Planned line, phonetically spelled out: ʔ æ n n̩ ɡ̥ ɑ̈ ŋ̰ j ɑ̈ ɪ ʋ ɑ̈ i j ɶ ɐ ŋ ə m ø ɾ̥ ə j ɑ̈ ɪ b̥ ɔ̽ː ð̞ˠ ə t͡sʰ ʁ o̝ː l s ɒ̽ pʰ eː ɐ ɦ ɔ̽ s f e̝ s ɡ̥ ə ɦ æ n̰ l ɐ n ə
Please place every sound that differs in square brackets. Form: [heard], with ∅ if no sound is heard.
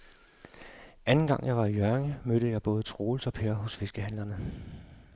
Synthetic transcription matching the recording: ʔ æ n n̩ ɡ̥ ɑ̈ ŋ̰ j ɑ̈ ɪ ʋ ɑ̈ i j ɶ ɐ ŋ ə m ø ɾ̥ ə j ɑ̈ ɪ b̥ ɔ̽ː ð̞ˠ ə t͡sʰ ʁ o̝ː l s ɒ̽ pʰ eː ɐ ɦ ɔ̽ s f e̝ s ɡ̥ ə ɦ æ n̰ l ɐ n ə

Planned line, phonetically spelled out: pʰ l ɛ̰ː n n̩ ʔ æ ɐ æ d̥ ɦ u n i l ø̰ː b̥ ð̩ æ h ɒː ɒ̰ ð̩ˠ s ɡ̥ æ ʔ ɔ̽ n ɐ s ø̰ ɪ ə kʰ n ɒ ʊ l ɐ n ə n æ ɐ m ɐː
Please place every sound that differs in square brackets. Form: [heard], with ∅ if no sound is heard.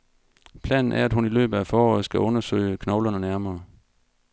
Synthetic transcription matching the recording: pʰ l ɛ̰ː n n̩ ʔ æ ɐ æ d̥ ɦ u n i l ø̰ː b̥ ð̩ æ [f] ɒː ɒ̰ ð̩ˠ s ɡ̥ æ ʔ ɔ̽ n ɐ s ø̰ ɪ ə kʰ n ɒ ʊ l ɐ n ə n æ ɐ m ɐː

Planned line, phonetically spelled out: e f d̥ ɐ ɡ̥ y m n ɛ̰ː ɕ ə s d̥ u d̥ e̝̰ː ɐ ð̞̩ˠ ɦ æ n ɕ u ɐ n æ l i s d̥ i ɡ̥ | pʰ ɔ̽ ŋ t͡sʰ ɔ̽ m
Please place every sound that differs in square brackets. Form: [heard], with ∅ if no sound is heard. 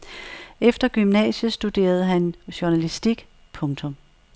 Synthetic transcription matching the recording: e f d̥ ɐ ɡ̥ y m n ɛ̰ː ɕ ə s d̥ u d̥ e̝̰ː ɐ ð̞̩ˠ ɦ æ n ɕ u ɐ n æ l i s d̥ i ɡ̥ | pʰ ɔ̽ ŋ t͡sʰ ɔ̽ m

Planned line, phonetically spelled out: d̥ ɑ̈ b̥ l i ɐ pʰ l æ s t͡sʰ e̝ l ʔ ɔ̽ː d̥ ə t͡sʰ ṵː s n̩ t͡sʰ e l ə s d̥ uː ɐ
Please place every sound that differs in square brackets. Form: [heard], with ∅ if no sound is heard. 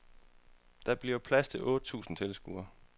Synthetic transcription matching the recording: d̥ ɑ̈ b̥ l i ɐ pʰ l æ s t͡sʰ e̝ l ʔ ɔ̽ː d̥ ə t͡sʰ ṵː s n̩ t͡sʰ e l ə s [ɡ̥] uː ɐ

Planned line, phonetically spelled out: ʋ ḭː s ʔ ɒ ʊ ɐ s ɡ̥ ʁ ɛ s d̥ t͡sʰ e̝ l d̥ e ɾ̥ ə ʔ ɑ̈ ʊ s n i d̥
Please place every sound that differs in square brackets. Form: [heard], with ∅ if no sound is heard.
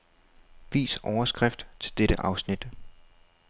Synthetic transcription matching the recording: ʋ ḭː s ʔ ɒ ʊ ɐ s ɡ̥ ʁ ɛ [f] d̥ t͡sʰ e̝ l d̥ e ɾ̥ ə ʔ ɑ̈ ʊ s n i d̥

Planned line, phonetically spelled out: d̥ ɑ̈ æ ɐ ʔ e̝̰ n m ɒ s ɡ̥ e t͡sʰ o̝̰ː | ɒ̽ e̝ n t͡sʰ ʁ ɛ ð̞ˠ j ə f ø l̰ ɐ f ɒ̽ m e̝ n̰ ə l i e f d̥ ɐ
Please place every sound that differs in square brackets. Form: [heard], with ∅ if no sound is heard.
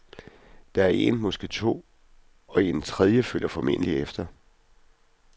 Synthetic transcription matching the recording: d̥ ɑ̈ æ ɐ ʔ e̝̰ n m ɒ s ɡ̥ e t͡sʰ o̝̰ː | ɒ̽ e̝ n t͡sʰ ʁ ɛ ð̞ˠ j ə f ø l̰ ɐ f ɒ̽ m e̝ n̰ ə l i e f d̥ ɐ

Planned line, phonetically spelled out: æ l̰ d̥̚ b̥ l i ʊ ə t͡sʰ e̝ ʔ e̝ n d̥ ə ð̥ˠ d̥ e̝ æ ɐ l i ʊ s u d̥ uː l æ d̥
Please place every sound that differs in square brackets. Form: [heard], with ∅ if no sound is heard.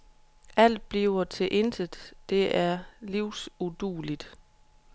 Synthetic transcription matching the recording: æ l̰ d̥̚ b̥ l i ʊ [ɐ] t͡sʰ e̝ ʔ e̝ n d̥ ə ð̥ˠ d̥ e̝ æ ɐ l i ʊ s u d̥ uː l [i] d̥

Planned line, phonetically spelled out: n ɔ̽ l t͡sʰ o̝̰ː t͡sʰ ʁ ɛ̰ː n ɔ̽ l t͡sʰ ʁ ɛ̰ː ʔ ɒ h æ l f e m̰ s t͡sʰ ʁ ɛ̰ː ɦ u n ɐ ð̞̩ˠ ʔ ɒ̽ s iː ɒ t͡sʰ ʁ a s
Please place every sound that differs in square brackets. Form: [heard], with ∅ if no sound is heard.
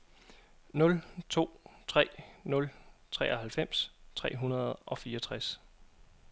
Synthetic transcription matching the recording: n ɔ̽ l t͡sʰ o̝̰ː t͡sʰ ʁ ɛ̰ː n ɔ̽ l t͡sʰ ʁ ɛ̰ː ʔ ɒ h æ l f e m̰ s t͡sʰ ʁ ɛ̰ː ɦ u n ɐ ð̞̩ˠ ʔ ɒ̽ [f] iː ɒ t͡sʰ ʁ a s

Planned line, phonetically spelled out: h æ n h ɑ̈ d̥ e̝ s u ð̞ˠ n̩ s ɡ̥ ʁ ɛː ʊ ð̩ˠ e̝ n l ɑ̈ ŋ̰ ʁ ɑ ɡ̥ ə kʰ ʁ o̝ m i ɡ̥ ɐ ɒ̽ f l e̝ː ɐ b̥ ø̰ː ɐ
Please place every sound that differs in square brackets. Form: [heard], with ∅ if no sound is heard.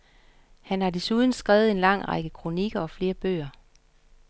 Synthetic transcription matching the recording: h æ n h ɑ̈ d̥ e̝ s u ð̞ˠ n̩ s ɡ̥ ʁ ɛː ʊ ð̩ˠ e̝ n l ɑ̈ ŋ̰ ʁ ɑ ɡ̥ ə kʰ ʁ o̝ [n] i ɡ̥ ɐ ɒ̽ f l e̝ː ɐ b̥ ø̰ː ɐ

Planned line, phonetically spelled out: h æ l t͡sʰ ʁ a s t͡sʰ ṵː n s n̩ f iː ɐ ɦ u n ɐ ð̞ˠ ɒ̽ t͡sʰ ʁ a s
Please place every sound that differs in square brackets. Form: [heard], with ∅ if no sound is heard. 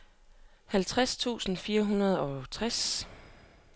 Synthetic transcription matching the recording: h æ l t͡sʰ ʁ a s t͡sʰ ṵː [∅] s n̩ f iː ɐ ɦ u n ɐ ð̞ˠ ɒ̽ t͡sʰ ʁ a s

